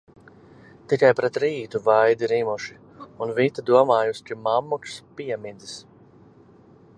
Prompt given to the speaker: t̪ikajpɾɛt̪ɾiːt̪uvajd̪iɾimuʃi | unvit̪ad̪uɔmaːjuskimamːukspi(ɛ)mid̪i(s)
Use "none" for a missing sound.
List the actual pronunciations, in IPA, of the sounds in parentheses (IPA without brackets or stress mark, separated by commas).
ɛ, s